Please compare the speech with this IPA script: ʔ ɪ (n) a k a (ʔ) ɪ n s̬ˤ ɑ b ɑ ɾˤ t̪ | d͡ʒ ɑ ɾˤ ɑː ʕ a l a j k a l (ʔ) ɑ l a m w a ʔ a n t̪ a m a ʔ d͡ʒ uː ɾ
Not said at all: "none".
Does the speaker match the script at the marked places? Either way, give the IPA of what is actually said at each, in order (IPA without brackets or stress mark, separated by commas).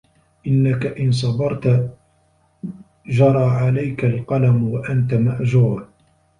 nː, ʔ, q